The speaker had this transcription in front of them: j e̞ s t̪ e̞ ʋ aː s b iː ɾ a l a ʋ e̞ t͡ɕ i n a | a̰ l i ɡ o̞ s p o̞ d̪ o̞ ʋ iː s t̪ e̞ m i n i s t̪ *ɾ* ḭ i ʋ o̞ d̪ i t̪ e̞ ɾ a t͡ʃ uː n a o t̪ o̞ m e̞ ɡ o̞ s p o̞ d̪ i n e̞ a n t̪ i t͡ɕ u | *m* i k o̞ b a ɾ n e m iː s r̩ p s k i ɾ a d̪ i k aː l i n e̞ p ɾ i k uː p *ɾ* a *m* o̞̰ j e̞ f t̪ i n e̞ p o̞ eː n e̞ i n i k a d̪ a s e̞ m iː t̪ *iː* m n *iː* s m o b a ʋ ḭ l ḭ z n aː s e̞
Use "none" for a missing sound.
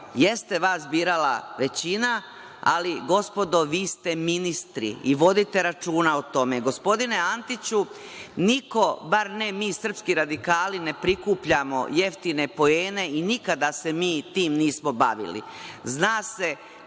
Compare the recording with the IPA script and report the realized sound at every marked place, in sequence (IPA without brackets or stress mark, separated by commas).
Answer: ɾ, n, ʎ, m, iː, iː